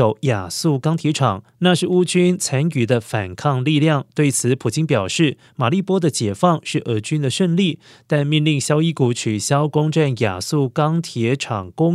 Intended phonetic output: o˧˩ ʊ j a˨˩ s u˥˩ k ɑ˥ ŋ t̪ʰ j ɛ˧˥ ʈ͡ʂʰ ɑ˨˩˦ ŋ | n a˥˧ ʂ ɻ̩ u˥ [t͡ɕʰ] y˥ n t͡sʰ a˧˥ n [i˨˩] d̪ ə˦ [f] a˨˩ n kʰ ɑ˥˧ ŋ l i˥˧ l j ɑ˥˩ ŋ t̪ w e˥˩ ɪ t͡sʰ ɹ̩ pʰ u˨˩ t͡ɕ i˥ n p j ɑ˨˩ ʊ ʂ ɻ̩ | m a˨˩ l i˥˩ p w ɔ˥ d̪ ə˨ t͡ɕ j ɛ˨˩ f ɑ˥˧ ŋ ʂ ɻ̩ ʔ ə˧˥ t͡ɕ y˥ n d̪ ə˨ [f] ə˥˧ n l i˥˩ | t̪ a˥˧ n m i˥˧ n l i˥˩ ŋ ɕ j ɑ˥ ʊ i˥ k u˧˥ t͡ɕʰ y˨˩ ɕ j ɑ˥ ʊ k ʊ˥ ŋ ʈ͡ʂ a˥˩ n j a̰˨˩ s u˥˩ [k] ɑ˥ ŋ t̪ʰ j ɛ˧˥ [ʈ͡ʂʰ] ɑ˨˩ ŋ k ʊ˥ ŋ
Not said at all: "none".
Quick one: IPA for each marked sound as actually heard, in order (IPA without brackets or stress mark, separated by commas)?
t͡ɕ, y˨˩, f, ʂ, k, ʈ͡ʂʰ